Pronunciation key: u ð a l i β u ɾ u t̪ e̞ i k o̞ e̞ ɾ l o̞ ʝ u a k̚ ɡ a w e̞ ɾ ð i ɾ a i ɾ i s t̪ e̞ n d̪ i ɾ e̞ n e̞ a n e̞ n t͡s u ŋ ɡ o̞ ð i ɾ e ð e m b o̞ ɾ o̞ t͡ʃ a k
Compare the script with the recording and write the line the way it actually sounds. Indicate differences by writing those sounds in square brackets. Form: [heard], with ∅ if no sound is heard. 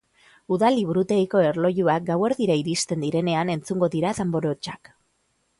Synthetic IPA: u ð a l i β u ɾ u t̪ e̞ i k o̞ e̞ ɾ l o̞ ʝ u a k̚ ɡ a w e̞ ɾ ð i ɾ a i ɾ i s t̪ e̞ n d̪ i ɾ e̞ n e̞ a n e̞ n t͡s u ŋ ɡ o̞ ð i ɾ [a] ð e m b o̞ ɾ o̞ t͡ʃ a k

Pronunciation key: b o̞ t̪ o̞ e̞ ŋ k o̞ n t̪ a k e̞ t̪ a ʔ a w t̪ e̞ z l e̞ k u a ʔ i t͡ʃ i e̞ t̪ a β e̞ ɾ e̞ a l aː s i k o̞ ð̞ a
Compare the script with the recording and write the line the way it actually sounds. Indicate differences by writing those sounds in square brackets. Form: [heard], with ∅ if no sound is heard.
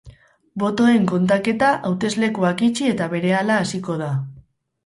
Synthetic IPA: b o̞ t̪ o̞ e̞ ŋ k o̞ n t̪ a k e̞ t̪ a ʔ a w t̪ e̞ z l e̞ k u a [k] i t͡ʃ i e̞ t̪ a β e̞ ɾ e̞ a l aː s i k o̞ ð̞ a

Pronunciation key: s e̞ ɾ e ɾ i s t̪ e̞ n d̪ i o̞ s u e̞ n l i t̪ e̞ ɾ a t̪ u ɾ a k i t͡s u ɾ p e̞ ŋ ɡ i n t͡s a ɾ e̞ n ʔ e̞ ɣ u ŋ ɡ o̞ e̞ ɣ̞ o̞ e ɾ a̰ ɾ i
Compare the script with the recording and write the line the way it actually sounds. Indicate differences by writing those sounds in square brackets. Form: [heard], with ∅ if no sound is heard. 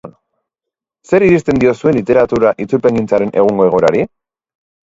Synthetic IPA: s e̞ ɾ [i] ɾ i s t̪ e̞ n d̪ i o̞ s u e̞ n l i t̪ e̞ ɾ a t̪ u ɾ a [ʔ] i t͡s u ɾ p e̞ ŋ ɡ i n t͡s a ɾ e̞ n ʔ e̞ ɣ u ŋ ɡ o̞ e̞ ɣ̞ o̞ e ɾ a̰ ɾ i

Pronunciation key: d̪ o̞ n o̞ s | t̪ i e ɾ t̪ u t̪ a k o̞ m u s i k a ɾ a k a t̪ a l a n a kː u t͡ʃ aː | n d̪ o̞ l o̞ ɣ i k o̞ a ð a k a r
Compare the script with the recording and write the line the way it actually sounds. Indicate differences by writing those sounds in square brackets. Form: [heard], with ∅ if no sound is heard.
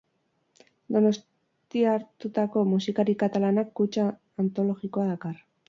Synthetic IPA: d̪ o̞ n o̞ s | t̪ i [a] ɾ t̪ u t̪ a k o̞ m u s i k a ɾ [i] k a t̪ a l a n a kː u t͡ʃ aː | n [t̪] o̞ l o̞ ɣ i k o̞ a ð a k a r

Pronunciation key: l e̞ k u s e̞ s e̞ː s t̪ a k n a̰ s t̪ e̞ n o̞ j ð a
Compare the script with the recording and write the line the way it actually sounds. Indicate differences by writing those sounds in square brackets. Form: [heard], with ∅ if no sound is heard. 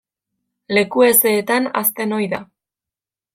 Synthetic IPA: l e̞ k u [∅] e̞ s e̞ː [∅] t̪ a [∅] n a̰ s t̪ e̞ n o̞ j ð a

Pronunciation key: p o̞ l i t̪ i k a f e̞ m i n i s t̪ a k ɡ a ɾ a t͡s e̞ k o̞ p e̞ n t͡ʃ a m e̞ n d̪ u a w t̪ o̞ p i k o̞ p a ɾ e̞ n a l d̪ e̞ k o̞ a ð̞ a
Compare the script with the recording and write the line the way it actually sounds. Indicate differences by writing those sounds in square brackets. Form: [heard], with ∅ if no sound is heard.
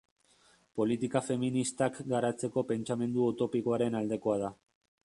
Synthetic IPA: p o̞ l i t̪ i k a f e̞ m i n i s t̪ a k ɡ a ɾ a t͡s e̞ k o̞ p e̞ n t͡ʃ a m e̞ n d̪ u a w t̪ o̞ p i k o̞ [∅] a ɾ e̞ n a l d̪ e̞ k o̞ a ð̞ a

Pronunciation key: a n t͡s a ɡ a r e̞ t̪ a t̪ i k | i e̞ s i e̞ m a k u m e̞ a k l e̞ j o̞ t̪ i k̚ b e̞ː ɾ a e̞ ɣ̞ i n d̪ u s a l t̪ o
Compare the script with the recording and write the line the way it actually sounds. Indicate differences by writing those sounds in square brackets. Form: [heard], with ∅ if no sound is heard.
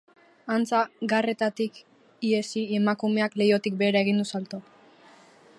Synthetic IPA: a n t͡s a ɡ a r e̞ t̪ a t̪ i k | i e̞ s i e̞ m a k u m e̞ a k l e̞ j o̞ t̪ i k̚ b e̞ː ɾ a e̞ ɣ̞ i n d̪ u s a l t̪ o

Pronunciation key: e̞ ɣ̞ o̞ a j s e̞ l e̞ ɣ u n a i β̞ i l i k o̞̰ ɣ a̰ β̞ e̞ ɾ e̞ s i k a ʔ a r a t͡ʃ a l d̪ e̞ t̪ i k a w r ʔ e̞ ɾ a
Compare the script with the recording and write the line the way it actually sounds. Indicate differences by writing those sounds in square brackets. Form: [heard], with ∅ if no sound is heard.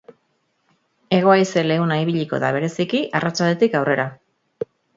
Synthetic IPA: e̞ ɣ̞ o̞ a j s e̞ l e̞ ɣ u n a i β̞ i [ʎ] i k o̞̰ [ð] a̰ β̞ e̞ ɾ e̞ s i k [i] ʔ a r a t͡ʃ a l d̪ e̞ t̪ i k a w r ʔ e̞ ɾ a

